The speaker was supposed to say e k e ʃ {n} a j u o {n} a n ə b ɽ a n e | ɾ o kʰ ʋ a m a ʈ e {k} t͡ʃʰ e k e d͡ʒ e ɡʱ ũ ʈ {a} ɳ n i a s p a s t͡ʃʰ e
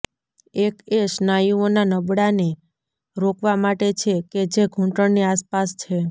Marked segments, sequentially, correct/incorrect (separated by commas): correct, correct, incorrect, incorrect